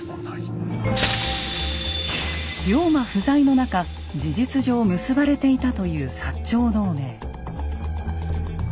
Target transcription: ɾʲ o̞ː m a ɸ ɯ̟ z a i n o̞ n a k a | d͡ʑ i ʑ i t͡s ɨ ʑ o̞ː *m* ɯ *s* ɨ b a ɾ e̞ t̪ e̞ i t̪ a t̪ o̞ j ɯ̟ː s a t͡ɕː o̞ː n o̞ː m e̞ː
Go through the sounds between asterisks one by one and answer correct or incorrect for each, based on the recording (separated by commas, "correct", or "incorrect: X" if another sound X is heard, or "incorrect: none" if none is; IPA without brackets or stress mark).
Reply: correct, correct